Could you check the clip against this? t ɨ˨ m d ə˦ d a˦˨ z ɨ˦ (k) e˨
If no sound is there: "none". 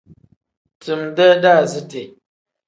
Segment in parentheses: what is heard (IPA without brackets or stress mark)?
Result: t